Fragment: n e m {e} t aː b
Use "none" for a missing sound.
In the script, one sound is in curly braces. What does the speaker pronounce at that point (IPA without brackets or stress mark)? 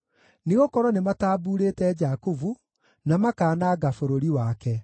a